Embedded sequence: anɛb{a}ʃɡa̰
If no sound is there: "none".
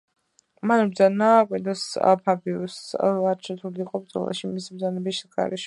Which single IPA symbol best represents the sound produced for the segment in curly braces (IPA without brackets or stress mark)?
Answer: i